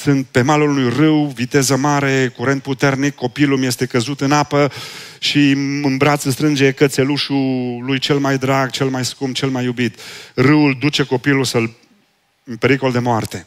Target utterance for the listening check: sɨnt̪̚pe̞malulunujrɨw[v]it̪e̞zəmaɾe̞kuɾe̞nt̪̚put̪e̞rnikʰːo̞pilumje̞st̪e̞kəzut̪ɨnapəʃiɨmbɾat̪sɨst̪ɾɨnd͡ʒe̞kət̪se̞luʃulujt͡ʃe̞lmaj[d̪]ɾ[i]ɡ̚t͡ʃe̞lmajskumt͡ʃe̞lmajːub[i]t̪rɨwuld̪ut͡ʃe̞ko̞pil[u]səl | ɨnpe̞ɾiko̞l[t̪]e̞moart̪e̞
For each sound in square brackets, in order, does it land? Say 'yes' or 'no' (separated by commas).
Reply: yes, yes, no, yes, yes, no